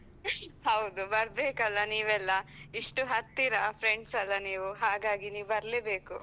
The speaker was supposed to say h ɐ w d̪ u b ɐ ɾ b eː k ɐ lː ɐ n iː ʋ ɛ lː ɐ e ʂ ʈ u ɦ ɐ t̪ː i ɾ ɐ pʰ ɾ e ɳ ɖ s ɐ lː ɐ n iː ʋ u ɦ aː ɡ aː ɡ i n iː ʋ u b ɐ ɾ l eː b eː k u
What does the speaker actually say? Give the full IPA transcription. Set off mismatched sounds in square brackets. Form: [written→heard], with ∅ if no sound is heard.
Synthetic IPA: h ɐ w d̪ u b ɐ ɾ b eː k ɐ lː ɐ n iː ʋ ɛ lː ɐ [e→i] ʂ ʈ u ɦ ɐ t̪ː i ɾ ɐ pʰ ɾ e ɳ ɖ s ɐ lː ɐ n iː ʋ u ɦ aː ɡ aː ɡ i n iː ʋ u b ɐ ɾ l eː b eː k u